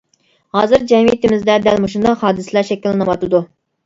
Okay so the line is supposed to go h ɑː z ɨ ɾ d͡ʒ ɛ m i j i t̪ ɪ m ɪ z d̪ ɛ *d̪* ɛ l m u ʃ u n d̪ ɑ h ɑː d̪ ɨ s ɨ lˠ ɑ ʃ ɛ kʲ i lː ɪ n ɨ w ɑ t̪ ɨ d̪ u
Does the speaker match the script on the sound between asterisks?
yes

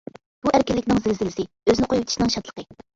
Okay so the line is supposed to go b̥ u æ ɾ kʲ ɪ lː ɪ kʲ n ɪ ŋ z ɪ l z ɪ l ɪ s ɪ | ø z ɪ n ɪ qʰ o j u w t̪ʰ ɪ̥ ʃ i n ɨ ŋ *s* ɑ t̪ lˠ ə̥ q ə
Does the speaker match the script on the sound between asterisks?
no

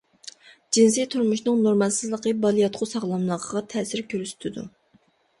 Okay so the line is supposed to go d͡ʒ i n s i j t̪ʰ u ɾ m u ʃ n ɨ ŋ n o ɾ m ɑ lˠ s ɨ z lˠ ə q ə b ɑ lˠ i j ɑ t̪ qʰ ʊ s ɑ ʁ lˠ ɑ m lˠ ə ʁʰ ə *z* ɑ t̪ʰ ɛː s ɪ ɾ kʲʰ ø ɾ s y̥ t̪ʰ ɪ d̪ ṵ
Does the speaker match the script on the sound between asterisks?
no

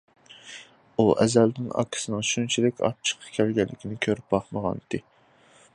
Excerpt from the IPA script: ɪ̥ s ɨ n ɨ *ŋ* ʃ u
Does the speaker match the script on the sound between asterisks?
yes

